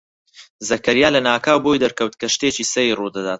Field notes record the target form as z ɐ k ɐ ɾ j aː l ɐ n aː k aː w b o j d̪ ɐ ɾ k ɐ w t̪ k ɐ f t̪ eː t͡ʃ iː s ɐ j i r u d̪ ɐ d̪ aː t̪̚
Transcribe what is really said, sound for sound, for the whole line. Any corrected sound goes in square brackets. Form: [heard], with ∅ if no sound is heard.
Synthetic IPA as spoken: z ɐ k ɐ ɾ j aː l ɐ n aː k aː w b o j d̪ ɐ ɾ k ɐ w t̪ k ɐ [ʃ] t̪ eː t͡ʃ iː s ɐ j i r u d̪ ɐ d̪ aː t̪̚